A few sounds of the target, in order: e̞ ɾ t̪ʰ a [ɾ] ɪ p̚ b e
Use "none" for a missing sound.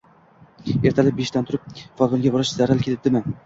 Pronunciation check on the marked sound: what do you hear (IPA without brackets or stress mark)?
l